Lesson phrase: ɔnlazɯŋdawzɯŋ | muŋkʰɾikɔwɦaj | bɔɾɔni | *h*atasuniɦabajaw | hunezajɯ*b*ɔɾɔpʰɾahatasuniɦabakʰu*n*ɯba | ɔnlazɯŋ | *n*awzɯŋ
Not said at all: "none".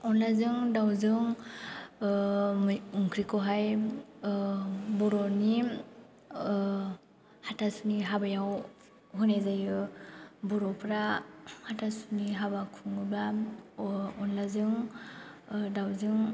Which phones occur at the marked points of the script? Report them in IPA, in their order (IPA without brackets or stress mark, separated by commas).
h, b, ŋ, d